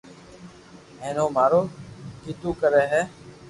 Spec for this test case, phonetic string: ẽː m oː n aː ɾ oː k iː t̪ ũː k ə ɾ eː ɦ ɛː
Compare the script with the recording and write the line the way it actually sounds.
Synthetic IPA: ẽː n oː m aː ɾ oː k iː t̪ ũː k ə ɾ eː ɦ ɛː